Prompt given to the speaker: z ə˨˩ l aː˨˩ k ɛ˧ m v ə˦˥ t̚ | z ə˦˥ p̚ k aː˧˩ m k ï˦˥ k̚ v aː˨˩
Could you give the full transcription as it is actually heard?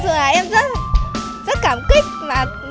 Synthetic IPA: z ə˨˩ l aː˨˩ ʔ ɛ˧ m z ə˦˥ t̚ | z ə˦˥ t̚ k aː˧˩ m k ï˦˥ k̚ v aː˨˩